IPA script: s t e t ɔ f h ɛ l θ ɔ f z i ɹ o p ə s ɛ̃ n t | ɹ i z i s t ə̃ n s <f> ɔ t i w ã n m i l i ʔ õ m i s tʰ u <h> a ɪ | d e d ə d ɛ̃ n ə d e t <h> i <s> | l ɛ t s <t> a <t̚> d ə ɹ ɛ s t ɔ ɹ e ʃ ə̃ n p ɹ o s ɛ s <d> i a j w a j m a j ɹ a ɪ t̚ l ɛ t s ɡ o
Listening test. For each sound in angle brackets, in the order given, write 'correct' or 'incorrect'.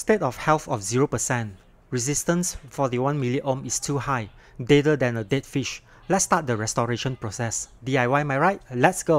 correct, correct, incorrect, incorrect, correct, correct, correct

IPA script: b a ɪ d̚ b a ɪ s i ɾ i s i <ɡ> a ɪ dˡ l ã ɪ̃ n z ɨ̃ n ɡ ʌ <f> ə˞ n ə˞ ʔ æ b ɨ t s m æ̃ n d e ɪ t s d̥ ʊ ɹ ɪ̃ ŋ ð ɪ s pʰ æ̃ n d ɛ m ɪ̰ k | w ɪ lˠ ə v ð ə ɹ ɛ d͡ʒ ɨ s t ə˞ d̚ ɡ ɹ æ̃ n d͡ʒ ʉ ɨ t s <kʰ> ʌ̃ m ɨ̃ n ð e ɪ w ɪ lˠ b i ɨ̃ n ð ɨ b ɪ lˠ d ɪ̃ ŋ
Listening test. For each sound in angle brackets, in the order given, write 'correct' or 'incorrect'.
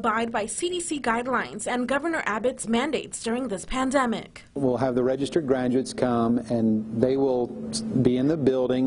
correct, incorrect, correct

